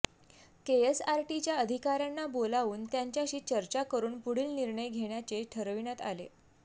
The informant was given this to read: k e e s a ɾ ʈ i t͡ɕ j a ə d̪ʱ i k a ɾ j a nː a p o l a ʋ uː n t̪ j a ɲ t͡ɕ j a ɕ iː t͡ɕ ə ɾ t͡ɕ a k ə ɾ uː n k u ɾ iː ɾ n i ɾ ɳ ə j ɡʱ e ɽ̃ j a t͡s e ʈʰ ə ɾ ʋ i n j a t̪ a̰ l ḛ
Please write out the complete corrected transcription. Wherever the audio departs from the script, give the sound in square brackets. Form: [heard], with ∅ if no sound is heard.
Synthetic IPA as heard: k e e s a ɾ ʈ i t͡ɕ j a ə d̪ʱ i k a ɾ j a nː a [b] o l a ʋ uː n t̪ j a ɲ t͡ɕ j a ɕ iː t͡ɕ ə ɾ t͡ɕ a k ə ɾ uː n [p] u [ɽ] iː [l] n i ɾ ɳ ə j ɡʱ e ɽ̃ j a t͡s e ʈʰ ə ɾ ʋ i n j a t̪ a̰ l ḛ